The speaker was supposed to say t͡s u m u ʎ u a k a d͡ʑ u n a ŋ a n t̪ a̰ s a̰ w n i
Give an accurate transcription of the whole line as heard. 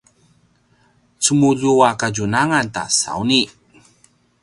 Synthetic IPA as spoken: t͡s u m u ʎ u a k a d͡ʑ u n a ŋ a n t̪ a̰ s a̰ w n i

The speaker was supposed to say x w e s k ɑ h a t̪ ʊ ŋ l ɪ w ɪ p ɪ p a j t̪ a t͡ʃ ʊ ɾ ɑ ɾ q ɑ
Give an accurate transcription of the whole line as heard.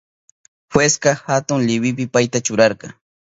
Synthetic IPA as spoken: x w e s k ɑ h a t̪ ʊ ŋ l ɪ w ɪ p ɪ p a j t̪ a t͡ʃ ʊ ɾ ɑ ɾ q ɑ

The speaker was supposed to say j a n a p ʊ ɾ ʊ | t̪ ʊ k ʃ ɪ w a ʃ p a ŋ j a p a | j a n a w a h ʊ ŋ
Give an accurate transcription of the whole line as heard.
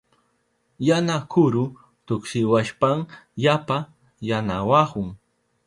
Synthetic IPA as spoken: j a n a k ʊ ɾ ʊ | t̪ ʊ k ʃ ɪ w a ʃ p a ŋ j a p a | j a n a w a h ʊ ŋ

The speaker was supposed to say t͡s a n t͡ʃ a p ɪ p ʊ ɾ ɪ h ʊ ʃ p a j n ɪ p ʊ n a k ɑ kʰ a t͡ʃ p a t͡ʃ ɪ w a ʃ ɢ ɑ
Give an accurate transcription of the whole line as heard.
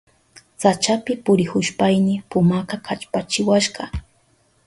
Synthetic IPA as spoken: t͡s a t͡ʃ a p ɪ p ʊ ɾ ɪ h ʊ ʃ p a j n ɪ p ʊ m a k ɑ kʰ a t͡ʃ p a t͡ʃ ɪ w a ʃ ɢ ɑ

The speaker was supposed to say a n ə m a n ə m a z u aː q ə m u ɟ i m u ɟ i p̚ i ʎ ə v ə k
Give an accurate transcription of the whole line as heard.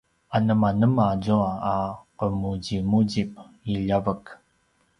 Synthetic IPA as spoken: a n ə m a n ə m a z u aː q ə m u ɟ i m u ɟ i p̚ i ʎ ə v ə k

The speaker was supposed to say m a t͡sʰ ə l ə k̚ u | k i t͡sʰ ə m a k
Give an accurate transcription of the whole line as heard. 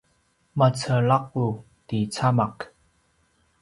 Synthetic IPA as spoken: m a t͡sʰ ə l a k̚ u | t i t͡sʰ a m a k

